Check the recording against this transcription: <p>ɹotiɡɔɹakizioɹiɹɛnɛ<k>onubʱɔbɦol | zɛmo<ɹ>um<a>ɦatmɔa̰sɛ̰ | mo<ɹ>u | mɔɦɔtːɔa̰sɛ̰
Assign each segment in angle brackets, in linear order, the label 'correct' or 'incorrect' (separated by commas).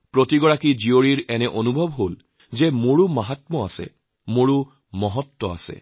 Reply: correct, incorrect, correct, correct, correct